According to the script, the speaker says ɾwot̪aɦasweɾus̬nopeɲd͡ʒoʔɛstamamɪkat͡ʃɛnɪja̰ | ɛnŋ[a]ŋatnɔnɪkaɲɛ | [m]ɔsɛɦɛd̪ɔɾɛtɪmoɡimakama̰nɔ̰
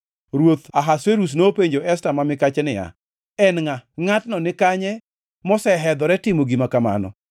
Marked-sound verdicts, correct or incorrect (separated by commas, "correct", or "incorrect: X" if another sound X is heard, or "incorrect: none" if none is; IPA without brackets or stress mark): correct, correct